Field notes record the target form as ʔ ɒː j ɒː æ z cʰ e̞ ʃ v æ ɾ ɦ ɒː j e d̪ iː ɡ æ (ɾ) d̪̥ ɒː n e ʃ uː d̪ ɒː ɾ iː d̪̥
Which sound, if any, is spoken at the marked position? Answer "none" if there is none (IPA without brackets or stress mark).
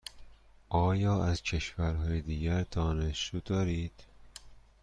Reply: ɾ